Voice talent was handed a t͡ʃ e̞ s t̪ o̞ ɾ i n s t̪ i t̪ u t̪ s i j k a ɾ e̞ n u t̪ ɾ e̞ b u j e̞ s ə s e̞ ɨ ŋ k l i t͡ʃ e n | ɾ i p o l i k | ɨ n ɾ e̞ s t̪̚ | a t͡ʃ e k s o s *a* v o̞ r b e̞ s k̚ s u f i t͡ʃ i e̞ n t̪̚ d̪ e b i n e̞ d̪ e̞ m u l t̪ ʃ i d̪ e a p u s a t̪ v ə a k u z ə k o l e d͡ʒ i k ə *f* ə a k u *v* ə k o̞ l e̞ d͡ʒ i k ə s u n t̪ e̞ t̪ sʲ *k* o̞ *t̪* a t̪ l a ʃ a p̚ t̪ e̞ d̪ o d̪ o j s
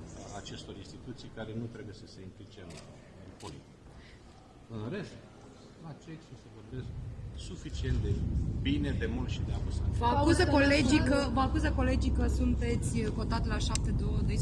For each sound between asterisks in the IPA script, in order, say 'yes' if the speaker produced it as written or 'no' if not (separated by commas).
no, no, no, yes, yes